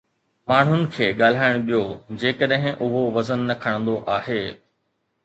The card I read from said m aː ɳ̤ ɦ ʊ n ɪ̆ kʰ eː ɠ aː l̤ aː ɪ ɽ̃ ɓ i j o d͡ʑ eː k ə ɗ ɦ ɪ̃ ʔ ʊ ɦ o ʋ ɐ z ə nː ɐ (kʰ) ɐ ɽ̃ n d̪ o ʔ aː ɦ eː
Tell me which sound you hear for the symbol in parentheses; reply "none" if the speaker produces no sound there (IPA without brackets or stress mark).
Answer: kʰ